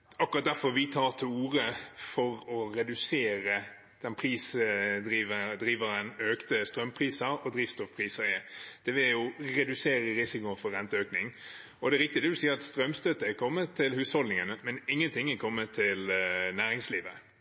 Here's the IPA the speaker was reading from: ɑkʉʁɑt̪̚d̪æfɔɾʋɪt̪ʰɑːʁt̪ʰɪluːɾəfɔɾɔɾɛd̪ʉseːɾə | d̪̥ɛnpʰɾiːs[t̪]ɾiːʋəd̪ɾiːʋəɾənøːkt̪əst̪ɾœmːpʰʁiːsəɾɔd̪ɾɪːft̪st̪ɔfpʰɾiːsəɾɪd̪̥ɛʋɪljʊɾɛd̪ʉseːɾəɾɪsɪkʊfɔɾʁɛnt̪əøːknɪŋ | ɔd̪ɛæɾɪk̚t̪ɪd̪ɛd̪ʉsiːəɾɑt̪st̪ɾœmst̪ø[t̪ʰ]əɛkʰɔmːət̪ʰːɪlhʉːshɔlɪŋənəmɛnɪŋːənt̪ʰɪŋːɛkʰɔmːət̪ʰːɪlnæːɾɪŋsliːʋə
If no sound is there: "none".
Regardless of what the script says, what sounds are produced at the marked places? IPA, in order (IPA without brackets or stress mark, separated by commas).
d̪, t̪